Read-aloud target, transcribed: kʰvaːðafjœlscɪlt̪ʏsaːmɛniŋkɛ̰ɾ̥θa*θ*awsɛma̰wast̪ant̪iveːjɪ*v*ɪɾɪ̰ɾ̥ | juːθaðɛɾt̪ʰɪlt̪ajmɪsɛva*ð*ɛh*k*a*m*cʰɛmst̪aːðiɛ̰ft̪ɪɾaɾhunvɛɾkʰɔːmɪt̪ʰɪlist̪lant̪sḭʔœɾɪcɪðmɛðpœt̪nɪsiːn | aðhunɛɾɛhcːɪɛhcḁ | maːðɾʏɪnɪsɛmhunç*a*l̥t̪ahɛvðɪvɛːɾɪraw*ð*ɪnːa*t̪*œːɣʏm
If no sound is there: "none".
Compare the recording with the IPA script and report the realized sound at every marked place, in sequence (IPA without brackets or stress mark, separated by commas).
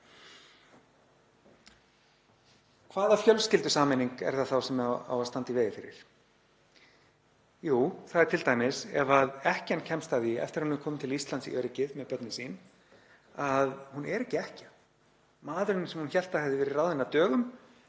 θ, f, ð, c, n, ɛ, ð, t̪